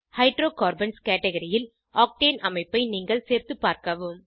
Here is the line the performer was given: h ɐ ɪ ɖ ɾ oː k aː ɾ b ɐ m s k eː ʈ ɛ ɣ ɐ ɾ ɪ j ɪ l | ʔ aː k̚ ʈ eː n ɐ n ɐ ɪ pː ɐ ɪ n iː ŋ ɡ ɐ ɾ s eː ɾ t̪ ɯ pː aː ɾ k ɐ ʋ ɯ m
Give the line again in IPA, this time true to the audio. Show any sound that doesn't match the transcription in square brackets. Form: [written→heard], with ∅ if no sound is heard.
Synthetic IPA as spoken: h ɐ ɪ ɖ ɾ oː k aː ɾ b ɐ [m→n] s k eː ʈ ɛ ɣ ɐ ɾ ɪ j ɪ l | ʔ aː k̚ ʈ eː n ɐ [n→m] ɐ ɪ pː ɐ ɪ n iː ŋ ɡ ɐ [ɾ→ɭ] s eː ɾ t̪ ɯ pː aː ɾ k ɐ ʋ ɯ m